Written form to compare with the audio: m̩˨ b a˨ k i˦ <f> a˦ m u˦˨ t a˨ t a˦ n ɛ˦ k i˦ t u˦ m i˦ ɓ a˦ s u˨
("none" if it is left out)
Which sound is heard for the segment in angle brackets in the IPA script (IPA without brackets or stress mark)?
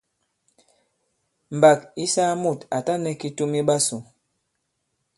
s